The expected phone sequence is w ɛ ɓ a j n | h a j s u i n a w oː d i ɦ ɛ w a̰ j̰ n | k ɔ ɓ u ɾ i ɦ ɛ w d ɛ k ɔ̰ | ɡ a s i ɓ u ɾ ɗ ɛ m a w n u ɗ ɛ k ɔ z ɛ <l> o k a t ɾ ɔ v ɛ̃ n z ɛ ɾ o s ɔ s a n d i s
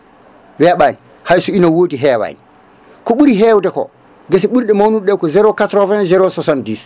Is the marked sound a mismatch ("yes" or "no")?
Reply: yes